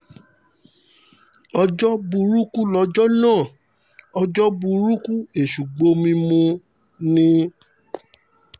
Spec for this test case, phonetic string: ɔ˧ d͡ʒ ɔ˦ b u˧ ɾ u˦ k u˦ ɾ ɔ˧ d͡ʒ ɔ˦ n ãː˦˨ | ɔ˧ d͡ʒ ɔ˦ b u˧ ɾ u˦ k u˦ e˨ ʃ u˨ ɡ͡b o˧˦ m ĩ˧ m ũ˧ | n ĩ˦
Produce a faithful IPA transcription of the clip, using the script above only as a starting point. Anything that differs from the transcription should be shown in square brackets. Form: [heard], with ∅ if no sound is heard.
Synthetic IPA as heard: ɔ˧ d͡ʒ ɔ˦ b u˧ ɾ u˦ k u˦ [l] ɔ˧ d͡ʒ ɔ˦ n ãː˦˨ | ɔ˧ d͡ʒ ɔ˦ b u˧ ɾ u˦ k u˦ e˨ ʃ u˨ ɡ͡b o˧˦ m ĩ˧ m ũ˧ | n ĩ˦